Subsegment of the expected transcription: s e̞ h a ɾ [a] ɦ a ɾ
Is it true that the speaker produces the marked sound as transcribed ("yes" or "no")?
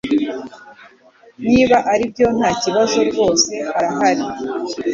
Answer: yes